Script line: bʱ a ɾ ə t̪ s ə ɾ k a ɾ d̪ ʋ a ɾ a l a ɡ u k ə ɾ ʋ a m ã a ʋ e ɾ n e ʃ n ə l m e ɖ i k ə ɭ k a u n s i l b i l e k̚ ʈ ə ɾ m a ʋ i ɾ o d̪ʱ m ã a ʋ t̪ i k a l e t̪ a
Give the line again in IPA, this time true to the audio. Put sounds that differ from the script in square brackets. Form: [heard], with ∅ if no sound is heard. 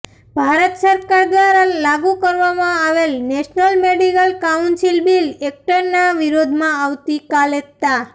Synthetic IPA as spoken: bʱ a ɾ ə t̪ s ə ɾ k a ɾ d̪ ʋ a ɾ a l a ɡ u k ə ɾ ʋ a m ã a ʋ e [l] n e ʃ n ə l m e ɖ i k ə [l] k a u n s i l b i l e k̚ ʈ ə ɾ [n] a ʋ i ɾ o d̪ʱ m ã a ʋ t̪ i k a l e t̪ a